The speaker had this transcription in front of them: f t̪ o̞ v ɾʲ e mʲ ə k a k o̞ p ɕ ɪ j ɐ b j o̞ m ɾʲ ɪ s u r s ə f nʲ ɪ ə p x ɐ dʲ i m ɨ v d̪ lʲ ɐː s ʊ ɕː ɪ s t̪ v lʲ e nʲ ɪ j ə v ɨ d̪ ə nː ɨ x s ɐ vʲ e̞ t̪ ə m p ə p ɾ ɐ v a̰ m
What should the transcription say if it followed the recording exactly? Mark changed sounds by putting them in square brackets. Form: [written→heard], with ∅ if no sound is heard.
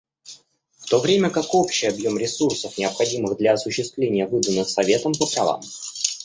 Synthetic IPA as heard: f t̪ o̞ v ɾʲ e mʲ ə k a k o̞ p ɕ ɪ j ɐ b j o̞ m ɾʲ ɪ s u r s ə f nʲ ɪ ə p x ɐ dʲ i m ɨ [v→ɣ] d̪ lʲ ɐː s ʊ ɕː ɪ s t̪ v lʲ e nʲ ɪ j ə v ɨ d̪ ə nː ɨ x s ɐ vʲ e̞ t̪ ə m p ə p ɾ ɐ v a̰ m